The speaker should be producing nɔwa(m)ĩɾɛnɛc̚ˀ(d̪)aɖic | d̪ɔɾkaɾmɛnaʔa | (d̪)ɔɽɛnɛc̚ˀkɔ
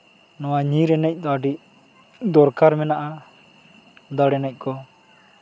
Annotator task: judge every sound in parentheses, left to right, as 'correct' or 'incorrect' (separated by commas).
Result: incorrect, correct, correct